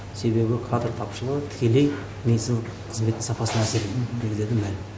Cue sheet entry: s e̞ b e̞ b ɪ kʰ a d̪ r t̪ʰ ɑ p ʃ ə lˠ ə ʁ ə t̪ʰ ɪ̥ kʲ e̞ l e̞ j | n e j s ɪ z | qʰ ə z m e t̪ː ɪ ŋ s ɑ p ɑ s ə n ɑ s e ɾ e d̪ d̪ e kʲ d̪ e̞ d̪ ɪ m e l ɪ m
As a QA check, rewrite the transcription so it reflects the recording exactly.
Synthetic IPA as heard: s e̞ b e̞ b ɪ kʰ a d̪ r t̪ʰ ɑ p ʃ ə lˠ ə ʁ ə t̪ʰ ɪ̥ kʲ e̞ l e̞ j | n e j s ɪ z | qʰ ə z m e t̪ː ɪ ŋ s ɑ p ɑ s ə n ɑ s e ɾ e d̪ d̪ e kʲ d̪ e̞ d̪ ɪ m æ l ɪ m